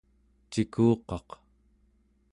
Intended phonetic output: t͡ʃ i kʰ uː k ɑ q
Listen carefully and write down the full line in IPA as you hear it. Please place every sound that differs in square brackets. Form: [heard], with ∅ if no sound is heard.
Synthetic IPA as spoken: t͡ʃ i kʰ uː [q] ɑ q